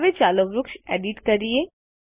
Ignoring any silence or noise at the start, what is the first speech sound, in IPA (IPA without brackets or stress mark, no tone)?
ʋ